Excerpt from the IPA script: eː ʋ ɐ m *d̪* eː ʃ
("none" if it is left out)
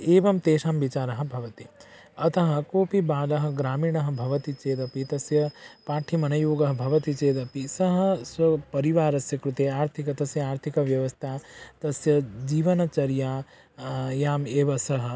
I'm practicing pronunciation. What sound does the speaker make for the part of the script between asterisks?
t̪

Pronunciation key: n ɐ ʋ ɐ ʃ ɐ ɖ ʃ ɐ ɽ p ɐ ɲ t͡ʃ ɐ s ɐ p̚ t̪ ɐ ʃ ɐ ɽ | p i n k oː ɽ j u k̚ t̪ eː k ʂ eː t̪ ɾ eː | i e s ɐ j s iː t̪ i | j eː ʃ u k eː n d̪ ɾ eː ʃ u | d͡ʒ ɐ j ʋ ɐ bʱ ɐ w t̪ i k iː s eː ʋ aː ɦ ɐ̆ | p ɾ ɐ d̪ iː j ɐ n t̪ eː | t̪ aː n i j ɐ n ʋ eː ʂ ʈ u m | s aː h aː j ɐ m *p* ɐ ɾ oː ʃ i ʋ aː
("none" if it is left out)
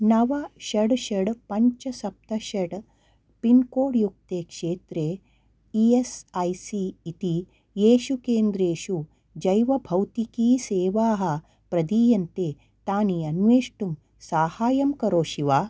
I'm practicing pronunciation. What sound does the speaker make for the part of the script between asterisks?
k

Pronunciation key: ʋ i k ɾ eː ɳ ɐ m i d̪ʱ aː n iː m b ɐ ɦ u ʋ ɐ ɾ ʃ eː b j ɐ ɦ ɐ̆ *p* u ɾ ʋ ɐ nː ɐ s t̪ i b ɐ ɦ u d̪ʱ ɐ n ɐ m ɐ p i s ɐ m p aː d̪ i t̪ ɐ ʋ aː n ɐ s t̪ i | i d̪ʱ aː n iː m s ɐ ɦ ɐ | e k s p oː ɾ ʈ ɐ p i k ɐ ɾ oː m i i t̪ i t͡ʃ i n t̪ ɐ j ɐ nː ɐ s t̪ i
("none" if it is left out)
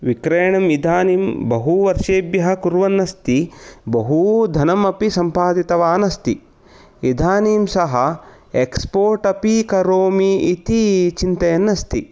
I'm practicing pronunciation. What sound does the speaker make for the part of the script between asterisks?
k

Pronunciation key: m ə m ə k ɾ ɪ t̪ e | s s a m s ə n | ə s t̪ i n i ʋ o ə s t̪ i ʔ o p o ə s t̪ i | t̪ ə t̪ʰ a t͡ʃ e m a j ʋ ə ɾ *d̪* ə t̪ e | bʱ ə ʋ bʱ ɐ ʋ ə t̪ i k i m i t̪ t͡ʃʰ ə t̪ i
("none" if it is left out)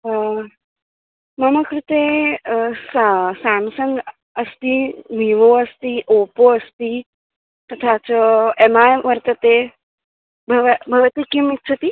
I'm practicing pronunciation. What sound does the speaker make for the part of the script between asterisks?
t̪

